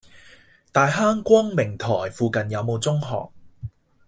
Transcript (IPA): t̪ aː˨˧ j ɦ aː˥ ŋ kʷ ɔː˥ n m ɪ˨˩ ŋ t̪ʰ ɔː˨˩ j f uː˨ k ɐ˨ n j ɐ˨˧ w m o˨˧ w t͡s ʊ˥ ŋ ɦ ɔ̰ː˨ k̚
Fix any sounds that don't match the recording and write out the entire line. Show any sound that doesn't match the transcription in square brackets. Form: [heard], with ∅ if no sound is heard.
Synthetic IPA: t̪ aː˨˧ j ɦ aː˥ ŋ kʷ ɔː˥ [ŋ] m ɪ˨˩ ŋ t̪ʰ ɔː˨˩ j f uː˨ k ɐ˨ n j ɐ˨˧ w m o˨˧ w t͡s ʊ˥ ŋ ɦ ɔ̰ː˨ k̚